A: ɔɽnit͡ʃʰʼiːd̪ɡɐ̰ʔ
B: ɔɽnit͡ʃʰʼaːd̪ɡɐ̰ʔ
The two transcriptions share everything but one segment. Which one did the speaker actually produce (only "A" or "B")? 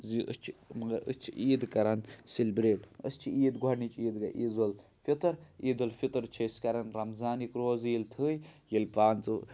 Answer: A